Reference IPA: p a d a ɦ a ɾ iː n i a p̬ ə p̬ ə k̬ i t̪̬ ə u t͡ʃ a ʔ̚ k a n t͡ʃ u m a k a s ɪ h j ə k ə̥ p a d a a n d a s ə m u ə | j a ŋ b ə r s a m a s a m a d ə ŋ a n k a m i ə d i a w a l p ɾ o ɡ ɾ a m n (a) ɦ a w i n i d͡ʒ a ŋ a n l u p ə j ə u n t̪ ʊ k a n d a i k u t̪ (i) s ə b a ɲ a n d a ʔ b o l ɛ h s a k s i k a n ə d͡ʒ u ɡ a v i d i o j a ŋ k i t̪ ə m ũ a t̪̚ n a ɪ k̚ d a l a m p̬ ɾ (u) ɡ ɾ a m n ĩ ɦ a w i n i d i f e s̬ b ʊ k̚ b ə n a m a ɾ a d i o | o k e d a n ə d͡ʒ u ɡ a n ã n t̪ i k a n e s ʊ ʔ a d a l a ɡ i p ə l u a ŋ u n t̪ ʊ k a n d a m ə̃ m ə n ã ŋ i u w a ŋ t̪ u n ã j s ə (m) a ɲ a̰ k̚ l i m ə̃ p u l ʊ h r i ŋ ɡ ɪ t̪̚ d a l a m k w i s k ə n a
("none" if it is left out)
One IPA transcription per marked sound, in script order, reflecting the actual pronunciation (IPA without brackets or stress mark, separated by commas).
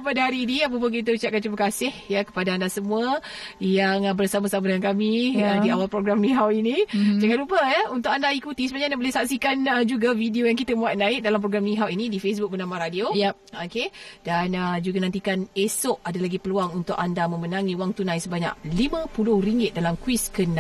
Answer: i, i, o, b